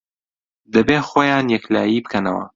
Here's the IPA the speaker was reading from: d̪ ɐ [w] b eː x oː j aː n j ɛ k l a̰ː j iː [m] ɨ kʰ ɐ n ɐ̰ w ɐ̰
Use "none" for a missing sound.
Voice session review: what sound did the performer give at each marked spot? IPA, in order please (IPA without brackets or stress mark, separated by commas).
none, b